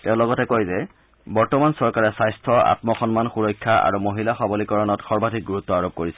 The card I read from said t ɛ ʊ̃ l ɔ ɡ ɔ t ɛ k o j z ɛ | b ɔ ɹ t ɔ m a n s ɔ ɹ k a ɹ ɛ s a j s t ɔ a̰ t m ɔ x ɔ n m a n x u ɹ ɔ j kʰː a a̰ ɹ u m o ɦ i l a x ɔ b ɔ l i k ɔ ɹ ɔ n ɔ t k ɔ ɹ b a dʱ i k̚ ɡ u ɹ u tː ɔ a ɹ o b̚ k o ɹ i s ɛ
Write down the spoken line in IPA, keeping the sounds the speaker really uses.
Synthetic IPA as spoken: t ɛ ʊ̃ l ɔ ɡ ɔ t ɛ k o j z ɛ | b ɔ ɹ t ɔ m a n s ɔ ɹ k a ɹ ɛ s a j s tʰ ɔ a̰ t m ɔ x ɔ n m a n x u ɹ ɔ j kʰː a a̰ ɹ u m o ɦ i l a x ɔ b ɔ l i k ɔ ɹ ɔ n ɔ t x ɔ ɹ b a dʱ i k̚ ɡ u ɹ u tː ɔ a ɹ o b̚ k o ɹ i s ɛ